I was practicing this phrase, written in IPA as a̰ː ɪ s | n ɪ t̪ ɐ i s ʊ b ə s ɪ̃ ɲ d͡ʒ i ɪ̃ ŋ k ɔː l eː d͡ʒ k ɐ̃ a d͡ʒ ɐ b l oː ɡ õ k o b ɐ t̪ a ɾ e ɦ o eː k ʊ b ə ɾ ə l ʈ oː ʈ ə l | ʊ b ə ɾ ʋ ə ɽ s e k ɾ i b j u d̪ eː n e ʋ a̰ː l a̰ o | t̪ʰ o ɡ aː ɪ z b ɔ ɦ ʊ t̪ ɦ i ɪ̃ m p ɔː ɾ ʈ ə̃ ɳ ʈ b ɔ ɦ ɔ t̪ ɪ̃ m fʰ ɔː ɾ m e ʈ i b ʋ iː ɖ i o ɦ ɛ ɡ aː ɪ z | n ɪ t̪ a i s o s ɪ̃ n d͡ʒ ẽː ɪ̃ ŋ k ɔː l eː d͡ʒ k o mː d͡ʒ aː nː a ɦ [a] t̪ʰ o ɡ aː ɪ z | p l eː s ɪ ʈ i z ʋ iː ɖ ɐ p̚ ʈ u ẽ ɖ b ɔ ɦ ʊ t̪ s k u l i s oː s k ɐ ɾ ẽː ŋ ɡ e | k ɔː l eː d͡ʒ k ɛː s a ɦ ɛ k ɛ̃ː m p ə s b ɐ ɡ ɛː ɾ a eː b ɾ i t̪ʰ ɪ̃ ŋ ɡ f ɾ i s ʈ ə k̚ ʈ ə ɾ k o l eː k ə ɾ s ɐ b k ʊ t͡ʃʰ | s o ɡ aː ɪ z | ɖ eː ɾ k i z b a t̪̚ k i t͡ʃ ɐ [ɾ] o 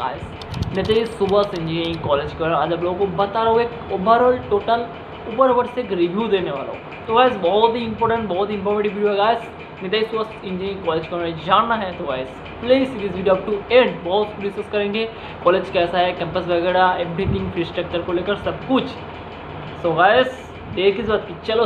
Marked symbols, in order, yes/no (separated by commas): no, no